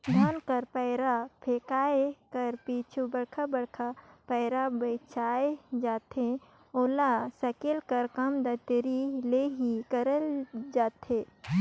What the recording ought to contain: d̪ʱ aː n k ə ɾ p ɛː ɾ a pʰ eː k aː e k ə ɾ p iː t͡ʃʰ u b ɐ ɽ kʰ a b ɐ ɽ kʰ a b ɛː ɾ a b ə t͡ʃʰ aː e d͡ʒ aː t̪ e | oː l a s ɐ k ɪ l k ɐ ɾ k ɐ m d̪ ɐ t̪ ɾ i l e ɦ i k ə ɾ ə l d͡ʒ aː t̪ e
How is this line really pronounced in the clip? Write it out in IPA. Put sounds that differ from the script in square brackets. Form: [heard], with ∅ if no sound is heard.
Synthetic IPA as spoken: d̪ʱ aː n k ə ɾ p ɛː ɾ a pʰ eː k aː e k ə ɾ p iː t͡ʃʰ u b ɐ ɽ kʰ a b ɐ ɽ kʰ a [p] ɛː ɾ a b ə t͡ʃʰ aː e d͡ʒ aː t̪ e | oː l a s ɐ k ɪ l k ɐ ɾ k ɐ m d̪ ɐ t̪ ɾ i l e ɦ i k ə ɾ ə l d͡ʒ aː t̪ e